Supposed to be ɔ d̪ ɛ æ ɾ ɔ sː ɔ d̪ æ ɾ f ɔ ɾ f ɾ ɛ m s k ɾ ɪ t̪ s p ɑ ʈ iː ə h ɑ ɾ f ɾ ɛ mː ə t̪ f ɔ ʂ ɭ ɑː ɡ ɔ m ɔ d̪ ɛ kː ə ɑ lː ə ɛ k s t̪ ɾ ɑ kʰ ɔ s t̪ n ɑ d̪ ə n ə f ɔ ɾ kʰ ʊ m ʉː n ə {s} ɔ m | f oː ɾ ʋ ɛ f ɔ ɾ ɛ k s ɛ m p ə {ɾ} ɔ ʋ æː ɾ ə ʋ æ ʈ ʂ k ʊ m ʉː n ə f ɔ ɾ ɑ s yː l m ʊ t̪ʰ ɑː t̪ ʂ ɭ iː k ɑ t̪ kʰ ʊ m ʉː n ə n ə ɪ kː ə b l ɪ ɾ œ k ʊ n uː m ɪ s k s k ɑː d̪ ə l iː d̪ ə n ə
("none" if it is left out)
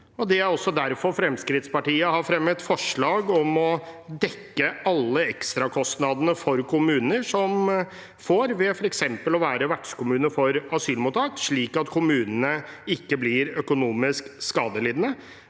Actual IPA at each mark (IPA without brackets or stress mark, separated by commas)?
ʂ, l